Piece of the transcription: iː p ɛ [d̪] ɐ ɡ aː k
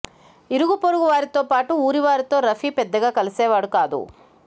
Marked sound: incorrect: d̪ː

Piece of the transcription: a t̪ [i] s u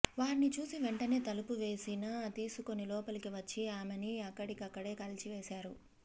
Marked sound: incorrect: iː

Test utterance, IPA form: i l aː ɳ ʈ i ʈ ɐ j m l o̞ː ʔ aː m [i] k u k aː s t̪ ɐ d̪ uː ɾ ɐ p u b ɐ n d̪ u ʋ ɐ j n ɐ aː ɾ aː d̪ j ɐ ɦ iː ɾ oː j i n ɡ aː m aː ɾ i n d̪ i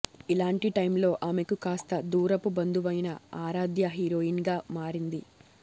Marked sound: incorrect: e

